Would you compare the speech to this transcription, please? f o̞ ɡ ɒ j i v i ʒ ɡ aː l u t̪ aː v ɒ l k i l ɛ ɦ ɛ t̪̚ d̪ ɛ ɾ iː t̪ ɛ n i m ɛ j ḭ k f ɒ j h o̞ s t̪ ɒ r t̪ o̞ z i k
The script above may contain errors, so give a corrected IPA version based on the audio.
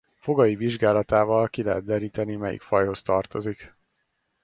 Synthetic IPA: f o̞ ɡ ɒ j i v i ʒ ɡ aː l ɒ t̪ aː v ɒ l k i l ɛ ɦ ɛ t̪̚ d̪ ɛ ɾ iː t̪ ɛ n i m ɛ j ḭ k f ɒ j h o̞ s t̪ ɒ r t̪ o̞ z i k

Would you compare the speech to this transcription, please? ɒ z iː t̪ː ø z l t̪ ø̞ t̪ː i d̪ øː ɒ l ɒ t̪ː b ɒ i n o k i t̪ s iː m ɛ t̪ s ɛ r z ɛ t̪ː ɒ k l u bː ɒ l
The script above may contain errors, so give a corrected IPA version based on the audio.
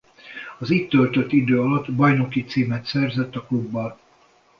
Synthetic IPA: ɒ z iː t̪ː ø l t̪ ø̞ t̪ː i d̪ øː ɒ l ɒ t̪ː b ɒ j n o k i t̪ s iː m ɛ t̪ s ɛ r z ɛ t̪ː ɒ k l u bː ɒ l

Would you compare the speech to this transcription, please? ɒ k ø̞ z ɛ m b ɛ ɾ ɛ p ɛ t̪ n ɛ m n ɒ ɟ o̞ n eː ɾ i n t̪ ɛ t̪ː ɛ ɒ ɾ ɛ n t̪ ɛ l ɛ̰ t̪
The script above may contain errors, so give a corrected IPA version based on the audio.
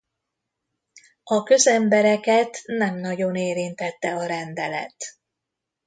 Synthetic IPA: ɒ k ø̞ z ɛ m b ɛ ɾ ɛ k ɛ t̪ n ɛ m n ɒ ɟ o̞ n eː ɾ i n t̪ ɛ t̪ː ɛ ɒ ɾ ɛ n d̪ ɛ l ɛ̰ t̪

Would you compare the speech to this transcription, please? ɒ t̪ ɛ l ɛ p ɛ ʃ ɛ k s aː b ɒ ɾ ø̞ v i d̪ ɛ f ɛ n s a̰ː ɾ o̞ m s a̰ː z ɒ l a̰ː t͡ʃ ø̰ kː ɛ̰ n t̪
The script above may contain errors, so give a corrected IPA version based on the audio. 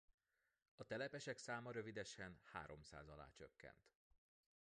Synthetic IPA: ɒ t̪ ɛ l ɛ p ɛ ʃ ɛ k s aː m ɒ ɾ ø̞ v i d̪ ɛ ʃ ɛ n h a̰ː ɾ o̞ m s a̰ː z ɒ l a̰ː t͡ʃ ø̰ kː ɛ̰ n t̪

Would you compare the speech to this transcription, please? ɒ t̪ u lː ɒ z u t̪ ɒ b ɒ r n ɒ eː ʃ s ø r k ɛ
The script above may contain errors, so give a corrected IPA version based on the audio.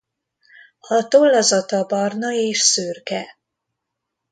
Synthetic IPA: ɒ t̪ o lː ɒ z ɒ t̪ ɒ b ɒ r n ɒ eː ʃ s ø r k ɛ

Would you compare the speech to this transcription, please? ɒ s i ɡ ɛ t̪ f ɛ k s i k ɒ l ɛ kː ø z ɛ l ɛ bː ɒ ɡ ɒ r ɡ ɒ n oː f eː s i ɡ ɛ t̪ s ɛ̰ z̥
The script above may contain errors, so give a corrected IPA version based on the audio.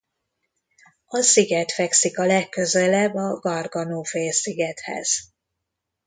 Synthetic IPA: ɒ s i ɡ ɛ t̪ f ɛ k s i k ɒ l ɛ kː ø z ɛ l ɛ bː ɒ ɡ ɒ r ɡ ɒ n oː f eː s i ɡ ɛ t̪ h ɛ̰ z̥

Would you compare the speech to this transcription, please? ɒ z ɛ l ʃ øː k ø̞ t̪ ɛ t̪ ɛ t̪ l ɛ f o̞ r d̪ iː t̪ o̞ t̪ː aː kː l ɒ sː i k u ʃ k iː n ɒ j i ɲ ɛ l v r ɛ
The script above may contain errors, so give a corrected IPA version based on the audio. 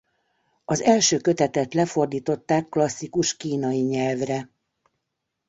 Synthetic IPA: ɒ z ɛ l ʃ øː k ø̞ t̪ ɛ t̪ ɛ t̪ l ɛ f o̞ r d̪ iː t̪ o̞ t̪ː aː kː l ɒ sː i k u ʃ k iː n ɒ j i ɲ ɛ l v r ɛ

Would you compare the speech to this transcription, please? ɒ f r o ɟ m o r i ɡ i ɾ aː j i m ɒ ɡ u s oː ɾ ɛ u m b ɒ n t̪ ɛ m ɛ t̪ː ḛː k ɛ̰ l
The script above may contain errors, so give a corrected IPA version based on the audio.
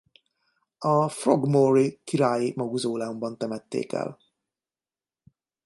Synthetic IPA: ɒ f r o ɡ m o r i k i ɾ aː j i m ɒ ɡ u z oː l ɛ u m b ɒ n t̪ ɛ m ɛ t̪ː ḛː k ɛ̰ l

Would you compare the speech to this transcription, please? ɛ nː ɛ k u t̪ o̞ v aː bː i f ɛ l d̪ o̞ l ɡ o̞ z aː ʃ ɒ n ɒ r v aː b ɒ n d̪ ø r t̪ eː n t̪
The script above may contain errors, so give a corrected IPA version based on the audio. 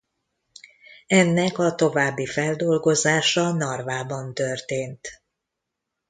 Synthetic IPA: ɛ nː ɛ k ɒ t̪ o̞ v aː bː i f ɛ l d̪ o̞ l ɡ o̞ z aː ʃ ɒ n ɒ r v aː b ɒ n t̪ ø r t̪ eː n t̪

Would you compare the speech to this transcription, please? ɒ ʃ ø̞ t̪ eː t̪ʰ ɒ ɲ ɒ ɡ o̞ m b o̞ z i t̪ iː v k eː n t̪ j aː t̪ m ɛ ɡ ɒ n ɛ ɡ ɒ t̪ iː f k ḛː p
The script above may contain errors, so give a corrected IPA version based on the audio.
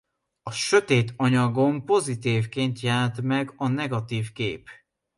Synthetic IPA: ɒ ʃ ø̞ t̪ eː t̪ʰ ɒ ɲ ɒ ɡ o̞ m p o̞ z i t̪ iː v k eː n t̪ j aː t̪ m ɛ ɡ ɒ n ɛ ɡ ɒ t̪ iː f k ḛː p

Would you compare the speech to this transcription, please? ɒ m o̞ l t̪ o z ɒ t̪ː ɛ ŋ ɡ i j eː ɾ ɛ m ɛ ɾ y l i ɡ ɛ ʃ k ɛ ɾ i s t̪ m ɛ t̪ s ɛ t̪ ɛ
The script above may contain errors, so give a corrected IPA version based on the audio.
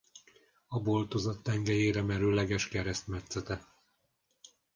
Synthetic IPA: ɒ b o̞ l t̪ o z ɒ t̪ː ɛ ŋ ɡ ɛ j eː ɾ ɛ m ɛ ɾ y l ɛ ɡ ɛ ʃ k ɛ ɾ ɛ s t̪ m ɛ t̪ s ɛ t̪ ɛ

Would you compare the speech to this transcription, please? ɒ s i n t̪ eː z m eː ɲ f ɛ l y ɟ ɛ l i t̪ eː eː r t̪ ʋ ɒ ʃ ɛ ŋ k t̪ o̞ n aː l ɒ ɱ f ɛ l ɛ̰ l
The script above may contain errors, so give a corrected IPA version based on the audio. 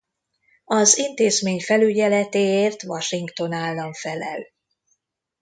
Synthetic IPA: ɒ z i n t̪ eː z m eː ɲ f ɛ l y ɟ ɛ l ɛ t̪ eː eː r t̪ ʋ ɒ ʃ i ŋ k t̪ o̞ n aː lː ɒ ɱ f ɛ l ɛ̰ l

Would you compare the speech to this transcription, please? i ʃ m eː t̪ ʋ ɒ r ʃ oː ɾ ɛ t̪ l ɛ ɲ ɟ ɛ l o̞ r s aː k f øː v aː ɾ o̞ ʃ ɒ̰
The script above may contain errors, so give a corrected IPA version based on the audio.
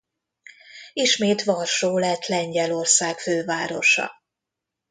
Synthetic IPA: i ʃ m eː t̪ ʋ ɒ r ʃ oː l ɛ t̪ l ɛ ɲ ɟ ɛ l o̞ r s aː k f øː v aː ɾ o̞ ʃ ɒ̰

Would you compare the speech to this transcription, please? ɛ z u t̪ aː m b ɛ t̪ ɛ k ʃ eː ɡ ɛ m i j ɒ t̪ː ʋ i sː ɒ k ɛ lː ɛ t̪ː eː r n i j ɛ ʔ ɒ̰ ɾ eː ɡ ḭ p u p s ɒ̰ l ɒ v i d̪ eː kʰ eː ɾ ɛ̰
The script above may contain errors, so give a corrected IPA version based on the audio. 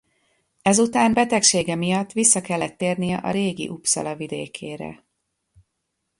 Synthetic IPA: ɛ z u t̪ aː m b ɛ t̪ ɛ k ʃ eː ɡ ɛ m i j ɒ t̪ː ʋ i sː ɒ k ɛ lː ɛ t̪ː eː r n i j ɛ ʔ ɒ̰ ɾ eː ɡ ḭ ʔ u p s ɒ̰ l ɒ v i d̪ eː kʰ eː ɾ ɛ̰

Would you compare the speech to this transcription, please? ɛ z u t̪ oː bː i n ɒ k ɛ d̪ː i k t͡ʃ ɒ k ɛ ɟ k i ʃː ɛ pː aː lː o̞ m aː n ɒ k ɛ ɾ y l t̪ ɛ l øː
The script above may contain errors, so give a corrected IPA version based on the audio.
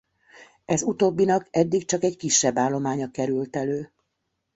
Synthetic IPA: ɛ z u t̪ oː bː i n ɒ k ɛ d̪ː i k t͡ʃ ɒ k ɛ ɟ k i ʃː ɛ bː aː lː o̞ m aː ɲ ɒ k ɛ ɾ y l t̪ ɛ l øː

